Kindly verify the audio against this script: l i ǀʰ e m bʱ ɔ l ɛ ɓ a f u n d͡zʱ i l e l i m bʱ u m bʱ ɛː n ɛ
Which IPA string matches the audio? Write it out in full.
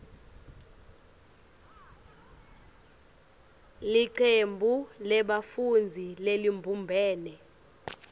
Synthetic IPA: l i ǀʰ e m bʱ u l ɛ ɓ a f u n d͡zʱ i l e l i m bʱ u m bʱ ɛː n ɛ